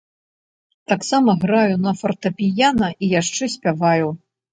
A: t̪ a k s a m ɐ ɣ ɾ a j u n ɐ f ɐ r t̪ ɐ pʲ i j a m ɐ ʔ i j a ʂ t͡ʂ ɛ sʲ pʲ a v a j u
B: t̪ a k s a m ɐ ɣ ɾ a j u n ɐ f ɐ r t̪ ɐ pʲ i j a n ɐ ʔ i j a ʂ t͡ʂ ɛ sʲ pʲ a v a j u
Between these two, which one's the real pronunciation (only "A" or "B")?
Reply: B